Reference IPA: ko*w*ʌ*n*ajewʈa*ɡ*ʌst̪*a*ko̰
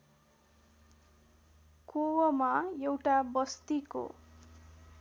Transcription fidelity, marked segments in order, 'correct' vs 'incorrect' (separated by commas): correct, incorrect, incorrect, incorrect